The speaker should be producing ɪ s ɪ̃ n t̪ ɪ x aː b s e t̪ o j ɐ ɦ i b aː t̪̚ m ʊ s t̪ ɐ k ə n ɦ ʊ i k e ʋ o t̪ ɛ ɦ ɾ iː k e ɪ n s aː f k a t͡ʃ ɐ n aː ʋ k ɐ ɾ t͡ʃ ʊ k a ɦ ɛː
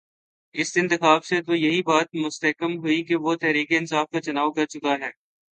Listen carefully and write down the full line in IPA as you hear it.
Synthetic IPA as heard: ɪ s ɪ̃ n t̪ ɪ x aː b s e t̪ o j ɐ ɦ i b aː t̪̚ m ʊ s t̪ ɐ k ə m ɦ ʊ i k e ʋ o t̪ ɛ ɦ ɾ iː k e ɪ n s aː f k a t͡ʃ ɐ n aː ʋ k ɐ ɾ t͡ʃ ʊ k a ɦ ɛː